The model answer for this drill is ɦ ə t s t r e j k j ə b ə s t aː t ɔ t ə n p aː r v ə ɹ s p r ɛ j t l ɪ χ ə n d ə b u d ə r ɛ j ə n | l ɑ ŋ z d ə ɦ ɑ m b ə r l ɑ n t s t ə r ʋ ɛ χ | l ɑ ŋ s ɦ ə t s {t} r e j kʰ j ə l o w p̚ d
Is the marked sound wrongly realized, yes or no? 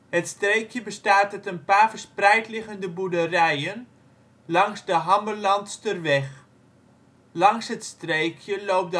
no